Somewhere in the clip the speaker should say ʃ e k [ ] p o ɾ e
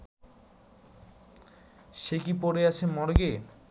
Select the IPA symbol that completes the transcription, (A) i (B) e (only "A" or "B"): A